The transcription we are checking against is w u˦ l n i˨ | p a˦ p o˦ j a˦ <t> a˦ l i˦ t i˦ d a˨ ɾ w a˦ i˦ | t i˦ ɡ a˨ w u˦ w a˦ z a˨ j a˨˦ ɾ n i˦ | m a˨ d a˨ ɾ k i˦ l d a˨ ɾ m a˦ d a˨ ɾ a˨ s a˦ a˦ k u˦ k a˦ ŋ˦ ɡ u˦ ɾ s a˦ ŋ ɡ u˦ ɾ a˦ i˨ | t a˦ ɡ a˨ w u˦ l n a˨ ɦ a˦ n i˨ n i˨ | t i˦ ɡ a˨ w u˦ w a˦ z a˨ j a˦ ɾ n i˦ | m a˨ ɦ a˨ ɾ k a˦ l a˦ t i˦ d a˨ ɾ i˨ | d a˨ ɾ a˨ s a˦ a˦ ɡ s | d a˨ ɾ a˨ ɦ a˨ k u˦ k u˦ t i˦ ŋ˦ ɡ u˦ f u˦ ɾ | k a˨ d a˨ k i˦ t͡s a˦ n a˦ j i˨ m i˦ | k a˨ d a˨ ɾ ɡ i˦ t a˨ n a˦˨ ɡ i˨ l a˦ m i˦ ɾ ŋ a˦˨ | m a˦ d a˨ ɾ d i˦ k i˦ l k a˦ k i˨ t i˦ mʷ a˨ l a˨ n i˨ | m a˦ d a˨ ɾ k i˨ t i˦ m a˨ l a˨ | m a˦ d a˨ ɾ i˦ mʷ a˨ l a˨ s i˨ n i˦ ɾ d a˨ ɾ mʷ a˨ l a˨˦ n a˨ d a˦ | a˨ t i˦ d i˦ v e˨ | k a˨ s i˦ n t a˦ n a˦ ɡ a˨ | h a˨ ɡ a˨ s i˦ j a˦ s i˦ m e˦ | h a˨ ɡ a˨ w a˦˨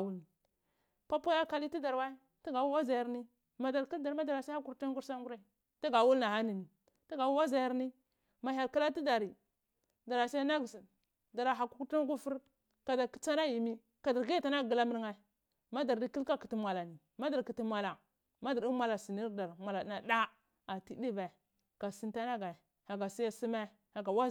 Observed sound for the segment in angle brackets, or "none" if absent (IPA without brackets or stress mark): k